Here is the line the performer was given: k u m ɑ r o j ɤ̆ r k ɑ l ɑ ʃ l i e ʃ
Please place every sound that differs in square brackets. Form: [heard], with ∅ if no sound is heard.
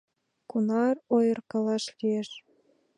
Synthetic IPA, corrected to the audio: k u [n] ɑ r o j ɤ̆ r k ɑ l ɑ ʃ l i e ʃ